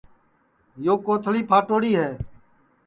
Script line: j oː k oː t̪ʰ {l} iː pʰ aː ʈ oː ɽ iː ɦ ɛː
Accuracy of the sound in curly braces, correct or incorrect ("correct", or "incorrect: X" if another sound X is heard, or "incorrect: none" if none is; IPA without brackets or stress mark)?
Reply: correct